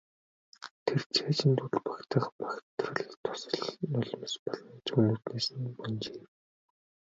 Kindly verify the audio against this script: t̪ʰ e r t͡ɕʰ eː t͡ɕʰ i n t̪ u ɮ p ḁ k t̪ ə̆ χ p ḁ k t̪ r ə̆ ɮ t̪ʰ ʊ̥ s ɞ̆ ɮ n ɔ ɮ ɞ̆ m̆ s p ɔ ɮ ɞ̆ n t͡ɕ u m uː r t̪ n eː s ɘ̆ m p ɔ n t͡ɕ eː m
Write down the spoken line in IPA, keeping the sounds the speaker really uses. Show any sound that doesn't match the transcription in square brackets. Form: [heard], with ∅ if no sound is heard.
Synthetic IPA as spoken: t̪ʰ e r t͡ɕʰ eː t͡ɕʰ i n t̪ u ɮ p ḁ k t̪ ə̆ χ p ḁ k t̪ r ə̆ ɮ t̪ʰ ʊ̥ s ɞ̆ ɮ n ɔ ɮ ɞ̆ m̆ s p ɔ ɮ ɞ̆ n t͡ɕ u [n] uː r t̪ n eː s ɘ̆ [n] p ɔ n t͡ɕ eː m